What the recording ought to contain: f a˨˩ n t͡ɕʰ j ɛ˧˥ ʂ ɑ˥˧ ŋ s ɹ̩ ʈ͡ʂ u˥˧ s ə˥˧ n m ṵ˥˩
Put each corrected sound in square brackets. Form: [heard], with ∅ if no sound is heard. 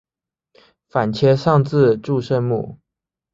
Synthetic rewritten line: f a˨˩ n t͡ɕʰ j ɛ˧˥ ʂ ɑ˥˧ ŋ [t͡s] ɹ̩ ʈ͡ʂ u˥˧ [ʂ] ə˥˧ n m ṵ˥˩